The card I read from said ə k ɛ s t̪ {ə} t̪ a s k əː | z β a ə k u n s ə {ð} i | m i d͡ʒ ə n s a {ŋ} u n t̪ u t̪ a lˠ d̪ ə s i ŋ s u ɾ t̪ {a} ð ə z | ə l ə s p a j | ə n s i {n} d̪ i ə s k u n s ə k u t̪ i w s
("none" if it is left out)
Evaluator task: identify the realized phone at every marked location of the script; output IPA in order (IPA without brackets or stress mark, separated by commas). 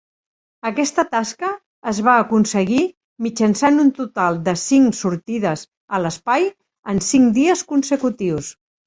ə, ɣ, n, i, ŋ